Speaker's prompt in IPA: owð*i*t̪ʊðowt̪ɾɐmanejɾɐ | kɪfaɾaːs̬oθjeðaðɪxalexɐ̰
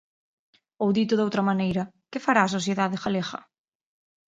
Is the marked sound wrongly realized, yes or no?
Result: no